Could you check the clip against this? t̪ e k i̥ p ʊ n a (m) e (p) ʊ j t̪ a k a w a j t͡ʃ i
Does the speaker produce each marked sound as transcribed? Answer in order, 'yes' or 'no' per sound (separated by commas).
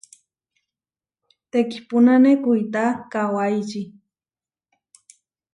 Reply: no, no